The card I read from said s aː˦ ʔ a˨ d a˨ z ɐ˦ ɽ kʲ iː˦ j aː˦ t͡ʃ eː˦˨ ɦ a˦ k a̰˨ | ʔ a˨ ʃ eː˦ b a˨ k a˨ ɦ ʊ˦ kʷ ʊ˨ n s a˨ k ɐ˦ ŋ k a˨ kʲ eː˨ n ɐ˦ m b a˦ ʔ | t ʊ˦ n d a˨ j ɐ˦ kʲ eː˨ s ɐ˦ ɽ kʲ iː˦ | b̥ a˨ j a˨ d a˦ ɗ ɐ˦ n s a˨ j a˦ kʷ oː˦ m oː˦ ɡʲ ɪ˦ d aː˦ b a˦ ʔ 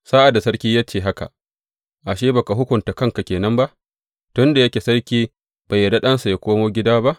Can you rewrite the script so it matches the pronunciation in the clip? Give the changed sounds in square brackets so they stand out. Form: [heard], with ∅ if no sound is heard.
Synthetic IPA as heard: s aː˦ ʔ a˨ d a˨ [s] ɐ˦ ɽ kʲ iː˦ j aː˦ t͡ʃ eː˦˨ ɦ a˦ k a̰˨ | ʔ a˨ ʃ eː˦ b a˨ k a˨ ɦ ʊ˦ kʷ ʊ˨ n [t] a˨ k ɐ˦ ŋ k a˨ kʲ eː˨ n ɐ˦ m b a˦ ʔ | t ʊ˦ n d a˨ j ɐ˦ kʲ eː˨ s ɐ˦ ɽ kʲ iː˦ | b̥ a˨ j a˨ d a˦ ɗ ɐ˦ n s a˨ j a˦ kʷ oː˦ m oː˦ ɡʲ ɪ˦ d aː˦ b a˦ ʔ